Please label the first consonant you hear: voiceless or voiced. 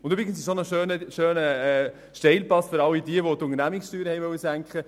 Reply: voiced